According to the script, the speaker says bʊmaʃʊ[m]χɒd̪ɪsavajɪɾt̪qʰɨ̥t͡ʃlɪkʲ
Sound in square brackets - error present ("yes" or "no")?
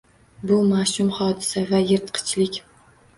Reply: no